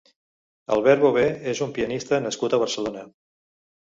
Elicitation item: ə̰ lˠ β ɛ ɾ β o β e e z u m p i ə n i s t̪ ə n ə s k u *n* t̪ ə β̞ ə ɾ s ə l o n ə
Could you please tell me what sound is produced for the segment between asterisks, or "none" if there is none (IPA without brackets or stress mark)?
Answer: none